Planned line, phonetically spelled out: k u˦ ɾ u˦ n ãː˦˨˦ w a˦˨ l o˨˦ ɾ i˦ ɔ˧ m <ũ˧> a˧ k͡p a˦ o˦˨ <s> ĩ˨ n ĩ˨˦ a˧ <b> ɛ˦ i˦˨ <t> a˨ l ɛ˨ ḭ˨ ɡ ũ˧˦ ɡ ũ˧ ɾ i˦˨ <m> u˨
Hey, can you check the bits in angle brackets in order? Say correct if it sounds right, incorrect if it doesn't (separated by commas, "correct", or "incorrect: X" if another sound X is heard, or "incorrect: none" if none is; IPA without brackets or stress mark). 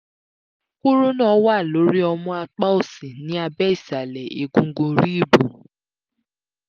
incorrect: ɔ̃˧, correct, correct, incorrect: s, incorrect: b